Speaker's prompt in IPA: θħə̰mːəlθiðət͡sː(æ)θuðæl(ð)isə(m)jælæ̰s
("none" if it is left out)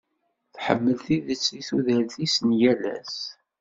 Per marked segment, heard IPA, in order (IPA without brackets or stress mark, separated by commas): i, θ, n